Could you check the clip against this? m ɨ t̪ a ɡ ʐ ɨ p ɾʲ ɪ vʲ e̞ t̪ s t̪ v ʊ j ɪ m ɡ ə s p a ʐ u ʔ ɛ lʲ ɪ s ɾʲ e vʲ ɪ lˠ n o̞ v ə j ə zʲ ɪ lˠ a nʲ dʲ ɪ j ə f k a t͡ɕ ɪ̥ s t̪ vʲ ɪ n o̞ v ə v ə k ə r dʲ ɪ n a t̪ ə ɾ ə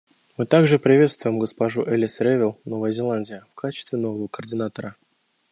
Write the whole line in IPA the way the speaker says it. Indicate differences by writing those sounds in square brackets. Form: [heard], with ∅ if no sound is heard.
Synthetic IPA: m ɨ t̪ a ɡ ʐ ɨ p ɾʲ ɪ vʲ e̞ t̪ s t̪ v ʊ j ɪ m ɡ ə s p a ʐ u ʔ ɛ lʲ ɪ s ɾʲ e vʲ ɪ lˠ n o̞ v ə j ə zʲ ɪ lˠ a nʲ dʲ ɪ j ə f k a t͡ɕ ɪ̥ s t̪ vʲ ɪ n o̞ v ə v ə k ə r dʲ ɪ n a t̪ ə ɾ ə